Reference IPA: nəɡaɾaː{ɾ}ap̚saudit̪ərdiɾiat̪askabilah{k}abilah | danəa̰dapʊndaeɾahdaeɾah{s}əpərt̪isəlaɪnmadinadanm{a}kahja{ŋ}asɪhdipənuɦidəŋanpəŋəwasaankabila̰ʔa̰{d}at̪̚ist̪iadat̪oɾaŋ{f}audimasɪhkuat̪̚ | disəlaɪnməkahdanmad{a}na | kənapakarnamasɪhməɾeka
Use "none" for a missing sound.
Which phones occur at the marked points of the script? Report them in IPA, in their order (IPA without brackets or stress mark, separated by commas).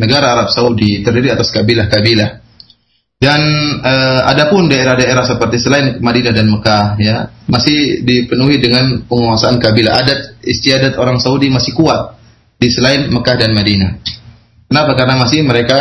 ɾ, k, s, ə, m, d, s, i